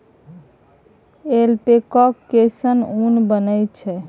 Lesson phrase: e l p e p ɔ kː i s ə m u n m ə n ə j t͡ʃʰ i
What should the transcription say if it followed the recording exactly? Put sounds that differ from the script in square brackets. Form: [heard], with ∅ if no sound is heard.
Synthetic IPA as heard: e l p e [k] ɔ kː [e] s ə [n] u n [b] ə n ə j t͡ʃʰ [ɛ]